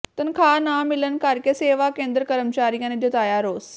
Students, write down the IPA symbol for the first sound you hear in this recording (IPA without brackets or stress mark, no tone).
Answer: t̪